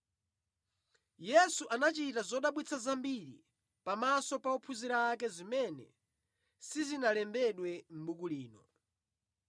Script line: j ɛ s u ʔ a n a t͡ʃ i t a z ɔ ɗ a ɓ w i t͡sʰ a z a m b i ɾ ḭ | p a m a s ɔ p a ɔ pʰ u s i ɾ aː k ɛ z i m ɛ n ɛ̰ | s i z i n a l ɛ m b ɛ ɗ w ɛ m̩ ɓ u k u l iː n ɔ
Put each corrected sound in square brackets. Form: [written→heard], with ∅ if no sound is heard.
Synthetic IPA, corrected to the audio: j ɛ s u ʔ a n a t͡ʃ i t a z ɔ ɗ a ɓ w i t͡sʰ a z a m b i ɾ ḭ | p a m a s ɔ p a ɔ pʰ u [s→z] i ɾ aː k ɛ z i m ɛ n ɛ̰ | s i z i n a l ɛ m b ɛ ɗ w ɛ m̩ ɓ u k u l iː n ɔ